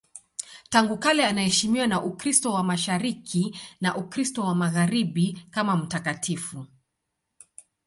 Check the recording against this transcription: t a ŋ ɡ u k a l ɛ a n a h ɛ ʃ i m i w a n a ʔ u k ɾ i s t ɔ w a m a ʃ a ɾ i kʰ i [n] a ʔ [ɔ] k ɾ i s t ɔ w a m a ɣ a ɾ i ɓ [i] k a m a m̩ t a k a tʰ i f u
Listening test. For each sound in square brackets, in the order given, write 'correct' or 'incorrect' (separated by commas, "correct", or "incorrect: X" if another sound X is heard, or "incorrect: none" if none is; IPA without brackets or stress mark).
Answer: correct, incorrect: u, correct